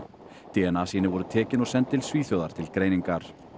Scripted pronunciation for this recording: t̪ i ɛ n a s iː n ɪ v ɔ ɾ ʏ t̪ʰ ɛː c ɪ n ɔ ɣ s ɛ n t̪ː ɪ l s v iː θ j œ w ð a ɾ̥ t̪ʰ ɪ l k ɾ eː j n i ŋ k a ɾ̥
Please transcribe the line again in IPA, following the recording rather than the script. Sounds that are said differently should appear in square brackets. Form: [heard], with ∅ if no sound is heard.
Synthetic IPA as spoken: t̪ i ɛ n a s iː n ɪ v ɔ ɾ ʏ t̪ʰ ɛː c ɪ n ɔ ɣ s ɛ n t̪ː ɪ l s v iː θ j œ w ð a ɾ̥ t̪ʰ ɪ l k ɾ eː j n i ŋ k a ɾ̥